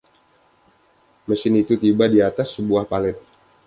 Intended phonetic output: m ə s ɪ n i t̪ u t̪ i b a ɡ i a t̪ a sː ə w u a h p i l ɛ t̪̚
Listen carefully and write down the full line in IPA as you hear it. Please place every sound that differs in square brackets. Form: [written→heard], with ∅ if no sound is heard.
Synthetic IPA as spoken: m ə s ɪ n i t̪ u t̪ i b a [ɡ→d] i a t̪ a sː ə [w→b] u a h p [i→a] l ɛ t̪̚